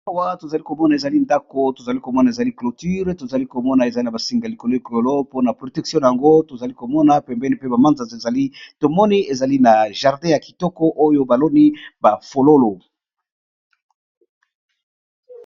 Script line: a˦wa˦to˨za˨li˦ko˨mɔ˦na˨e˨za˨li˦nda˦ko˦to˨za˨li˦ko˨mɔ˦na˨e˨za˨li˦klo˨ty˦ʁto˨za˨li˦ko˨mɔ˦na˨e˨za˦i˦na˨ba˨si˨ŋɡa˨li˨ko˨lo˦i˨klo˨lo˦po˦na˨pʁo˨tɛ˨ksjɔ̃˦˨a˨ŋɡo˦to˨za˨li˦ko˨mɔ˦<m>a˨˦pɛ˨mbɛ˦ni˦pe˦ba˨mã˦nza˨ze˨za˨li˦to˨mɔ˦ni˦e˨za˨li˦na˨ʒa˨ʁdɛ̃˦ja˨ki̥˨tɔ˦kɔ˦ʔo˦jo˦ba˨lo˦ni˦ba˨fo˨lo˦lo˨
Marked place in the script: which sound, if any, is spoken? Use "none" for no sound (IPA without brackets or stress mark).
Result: n